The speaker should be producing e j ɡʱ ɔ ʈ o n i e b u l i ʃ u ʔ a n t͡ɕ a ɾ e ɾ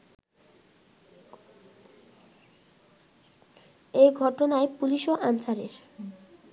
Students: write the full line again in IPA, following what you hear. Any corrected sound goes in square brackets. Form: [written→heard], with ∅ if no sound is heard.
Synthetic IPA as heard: e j ɡʱ ɔ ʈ o n [i→a] e [b→p] u l i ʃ [u→o] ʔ a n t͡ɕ a ɾ e ɾ